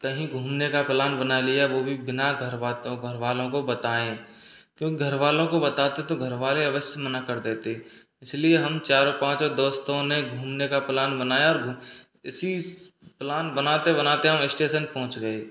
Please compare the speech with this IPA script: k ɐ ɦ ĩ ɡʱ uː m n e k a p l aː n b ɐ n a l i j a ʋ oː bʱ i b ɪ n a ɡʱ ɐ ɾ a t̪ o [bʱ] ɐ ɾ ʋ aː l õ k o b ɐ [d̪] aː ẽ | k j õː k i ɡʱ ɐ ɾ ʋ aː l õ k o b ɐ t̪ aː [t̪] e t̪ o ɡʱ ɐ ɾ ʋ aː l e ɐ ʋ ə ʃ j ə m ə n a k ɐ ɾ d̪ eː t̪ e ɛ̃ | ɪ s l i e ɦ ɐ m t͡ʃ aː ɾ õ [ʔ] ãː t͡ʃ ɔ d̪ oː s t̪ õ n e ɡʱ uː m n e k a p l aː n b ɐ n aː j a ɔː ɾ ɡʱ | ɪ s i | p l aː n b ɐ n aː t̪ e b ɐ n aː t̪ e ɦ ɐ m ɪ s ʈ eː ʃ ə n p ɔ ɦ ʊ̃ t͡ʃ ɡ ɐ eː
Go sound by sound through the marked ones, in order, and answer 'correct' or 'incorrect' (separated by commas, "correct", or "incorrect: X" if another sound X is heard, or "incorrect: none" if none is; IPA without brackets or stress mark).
incorrect: ɡʱ, incorrect: t̪, correct, incorrect: p